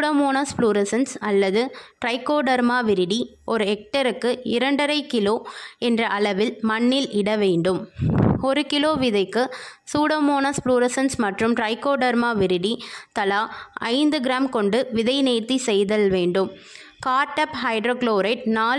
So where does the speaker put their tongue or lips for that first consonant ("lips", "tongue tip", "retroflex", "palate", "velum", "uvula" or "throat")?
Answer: retroflex